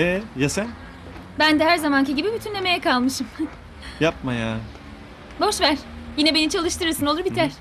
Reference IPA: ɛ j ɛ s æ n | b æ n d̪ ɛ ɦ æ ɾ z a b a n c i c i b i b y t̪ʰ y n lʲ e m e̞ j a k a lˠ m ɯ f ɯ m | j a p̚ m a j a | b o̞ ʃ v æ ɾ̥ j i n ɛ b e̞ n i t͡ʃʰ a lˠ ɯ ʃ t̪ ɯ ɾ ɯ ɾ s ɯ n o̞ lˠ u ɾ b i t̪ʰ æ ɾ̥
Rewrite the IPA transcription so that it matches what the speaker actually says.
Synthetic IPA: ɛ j a s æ n | b æ n d̪ ɛ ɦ æ ɾ z a m a n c i ɟ i b i b y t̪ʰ y n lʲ e m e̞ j ɛ k a lˠ m ɯ ʃ ɯ m | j a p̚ m a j a | b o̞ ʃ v æ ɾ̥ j i n ɛ b e̞ n i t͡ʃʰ a lˠ ɯ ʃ t̪ ɯ ɾ ɯ ɾ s ɯ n o̞ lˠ u ɾ b i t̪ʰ æ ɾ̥